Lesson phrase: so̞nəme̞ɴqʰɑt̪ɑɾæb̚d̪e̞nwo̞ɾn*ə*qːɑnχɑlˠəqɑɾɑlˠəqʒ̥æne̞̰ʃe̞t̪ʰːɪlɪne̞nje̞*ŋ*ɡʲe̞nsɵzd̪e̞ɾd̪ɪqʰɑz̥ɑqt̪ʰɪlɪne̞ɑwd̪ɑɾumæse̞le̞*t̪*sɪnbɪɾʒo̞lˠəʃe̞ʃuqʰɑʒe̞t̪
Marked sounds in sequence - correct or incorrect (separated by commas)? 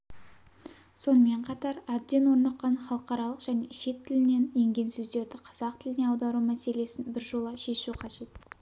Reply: incorrect, correct, incorrect